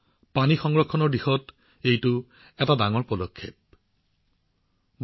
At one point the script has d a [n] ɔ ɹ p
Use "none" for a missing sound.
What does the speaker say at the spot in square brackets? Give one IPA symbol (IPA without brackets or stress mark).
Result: ŋ